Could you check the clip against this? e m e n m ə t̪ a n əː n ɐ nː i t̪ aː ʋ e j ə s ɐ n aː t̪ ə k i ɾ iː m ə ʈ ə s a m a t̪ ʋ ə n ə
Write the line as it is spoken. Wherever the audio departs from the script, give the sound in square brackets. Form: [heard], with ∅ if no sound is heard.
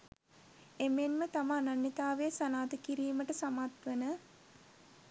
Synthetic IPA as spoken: e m e n m ə t̪ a [m] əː n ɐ nː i t̪ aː ʋ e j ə s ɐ n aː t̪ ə k i ɾ iː m ə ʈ ə s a m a t̪ ʋ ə n ə

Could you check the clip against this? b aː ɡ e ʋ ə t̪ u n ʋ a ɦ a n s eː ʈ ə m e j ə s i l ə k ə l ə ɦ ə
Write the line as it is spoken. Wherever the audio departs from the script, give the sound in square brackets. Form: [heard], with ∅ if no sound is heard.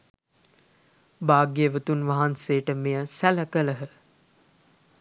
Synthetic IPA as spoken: b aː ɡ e ʋ ə t̪ u n ʋ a ɦ a n s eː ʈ ə m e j ə s [æ] l ə k ə l ə ɦ ə

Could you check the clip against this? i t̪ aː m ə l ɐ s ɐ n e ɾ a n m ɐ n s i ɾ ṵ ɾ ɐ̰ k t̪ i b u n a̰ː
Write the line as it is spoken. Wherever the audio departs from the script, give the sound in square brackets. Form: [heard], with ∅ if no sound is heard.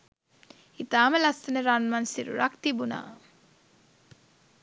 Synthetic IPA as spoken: i t̪ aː m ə l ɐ s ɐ n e ɾ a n m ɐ n s i ɾ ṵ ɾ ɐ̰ k t̪ i b u n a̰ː

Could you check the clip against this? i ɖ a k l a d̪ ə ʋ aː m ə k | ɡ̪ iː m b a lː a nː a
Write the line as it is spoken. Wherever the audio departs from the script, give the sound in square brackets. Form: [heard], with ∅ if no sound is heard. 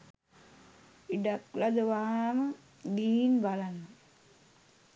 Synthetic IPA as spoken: i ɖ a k l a d̪ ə ʋ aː m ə [∅] | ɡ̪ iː [n] b a [l] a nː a

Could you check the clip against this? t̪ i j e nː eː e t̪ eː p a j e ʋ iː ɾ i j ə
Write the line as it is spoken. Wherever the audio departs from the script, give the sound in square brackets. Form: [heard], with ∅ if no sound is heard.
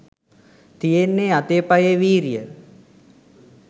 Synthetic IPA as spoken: t̪ i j e nː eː [a] t̪ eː p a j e ʋ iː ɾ i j ə

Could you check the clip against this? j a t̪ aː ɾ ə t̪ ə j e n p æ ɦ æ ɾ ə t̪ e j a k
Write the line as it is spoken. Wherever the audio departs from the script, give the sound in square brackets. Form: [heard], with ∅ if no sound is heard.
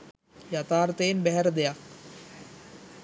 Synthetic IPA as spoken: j a t̪ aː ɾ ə t̪ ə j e n [b] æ ɦ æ ɾ ə [d̪] e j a k

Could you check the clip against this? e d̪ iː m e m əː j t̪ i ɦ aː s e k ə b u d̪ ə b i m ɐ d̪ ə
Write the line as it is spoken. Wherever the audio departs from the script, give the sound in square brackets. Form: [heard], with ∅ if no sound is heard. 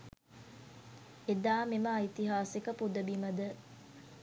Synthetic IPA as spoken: e d̪ [aː] m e m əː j t̪ i ɦ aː s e k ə [p] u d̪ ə b i m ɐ d̪ ə

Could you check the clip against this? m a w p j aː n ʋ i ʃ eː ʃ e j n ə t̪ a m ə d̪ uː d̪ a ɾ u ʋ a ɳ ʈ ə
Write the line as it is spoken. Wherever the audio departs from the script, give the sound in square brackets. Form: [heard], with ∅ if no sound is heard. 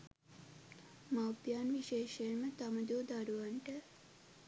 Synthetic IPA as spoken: m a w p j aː n ʋ i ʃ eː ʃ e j [m] ə t̪ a m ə d̪ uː d̪ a ɾ u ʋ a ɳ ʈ ə

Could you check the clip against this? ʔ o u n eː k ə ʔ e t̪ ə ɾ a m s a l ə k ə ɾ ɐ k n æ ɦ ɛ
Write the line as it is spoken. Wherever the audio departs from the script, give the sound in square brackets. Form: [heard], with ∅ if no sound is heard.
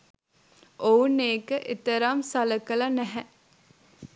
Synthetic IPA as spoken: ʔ o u n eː k ə ʔ e t̪ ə ɾ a m s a l ə k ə [l] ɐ [∅] n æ ɦ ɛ

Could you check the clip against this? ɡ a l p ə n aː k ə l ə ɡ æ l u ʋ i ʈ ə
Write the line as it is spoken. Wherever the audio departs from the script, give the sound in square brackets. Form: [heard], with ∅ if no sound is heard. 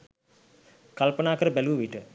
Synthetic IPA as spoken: [k] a l p ə n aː k ə [ɾ] ə [b] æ l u ʋ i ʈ ə

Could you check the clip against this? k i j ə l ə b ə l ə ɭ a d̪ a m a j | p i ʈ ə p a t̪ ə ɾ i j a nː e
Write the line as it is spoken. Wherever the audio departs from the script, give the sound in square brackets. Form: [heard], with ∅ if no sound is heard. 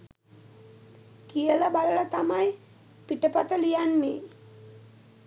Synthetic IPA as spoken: k i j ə l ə b [a] l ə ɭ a [t̪] a m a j | p i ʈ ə p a t̪ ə [l] i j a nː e

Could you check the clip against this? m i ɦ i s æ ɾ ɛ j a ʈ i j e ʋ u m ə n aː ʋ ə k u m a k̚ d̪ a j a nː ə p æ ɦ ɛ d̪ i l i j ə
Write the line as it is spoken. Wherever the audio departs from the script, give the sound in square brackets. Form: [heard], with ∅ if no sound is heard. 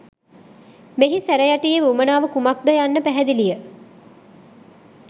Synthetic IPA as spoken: m [e] ɦ i s æ ɾ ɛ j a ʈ i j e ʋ u m ə n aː ʋ ə k u m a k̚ d̪ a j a nː ə p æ ɦ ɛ d̪ i l i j ə

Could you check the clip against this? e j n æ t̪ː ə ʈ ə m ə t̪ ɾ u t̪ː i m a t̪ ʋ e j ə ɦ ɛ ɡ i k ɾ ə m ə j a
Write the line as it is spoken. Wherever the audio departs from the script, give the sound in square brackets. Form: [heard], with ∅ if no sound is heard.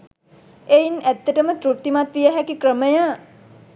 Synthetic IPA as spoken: e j n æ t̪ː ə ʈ ə m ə t̪ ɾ u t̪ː i m a t̪ ʋ [i] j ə ɦ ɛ [k] i k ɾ ə m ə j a

